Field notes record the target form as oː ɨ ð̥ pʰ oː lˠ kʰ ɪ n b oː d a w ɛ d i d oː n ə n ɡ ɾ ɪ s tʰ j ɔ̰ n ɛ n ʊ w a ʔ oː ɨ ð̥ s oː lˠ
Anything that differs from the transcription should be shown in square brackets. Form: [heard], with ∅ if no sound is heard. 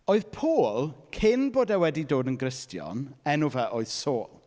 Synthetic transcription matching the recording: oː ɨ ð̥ pʰ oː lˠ kʰ ɪ n b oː d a w ɛ d i d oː [d] ə n ɡ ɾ ɪ s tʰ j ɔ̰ n ɛ n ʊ [v] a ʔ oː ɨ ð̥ s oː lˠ